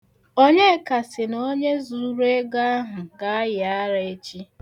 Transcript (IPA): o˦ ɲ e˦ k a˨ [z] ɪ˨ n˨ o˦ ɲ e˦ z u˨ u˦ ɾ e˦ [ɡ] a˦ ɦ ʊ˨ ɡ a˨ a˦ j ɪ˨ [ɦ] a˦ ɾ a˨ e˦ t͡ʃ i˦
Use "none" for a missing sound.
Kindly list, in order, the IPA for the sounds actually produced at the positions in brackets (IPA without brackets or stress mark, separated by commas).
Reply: s, ɡ, none